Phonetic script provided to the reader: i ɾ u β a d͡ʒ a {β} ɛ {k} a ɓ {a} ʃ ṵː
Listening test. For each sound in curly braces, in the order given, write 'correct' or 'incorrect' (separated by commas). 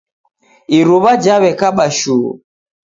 correct, correct, correct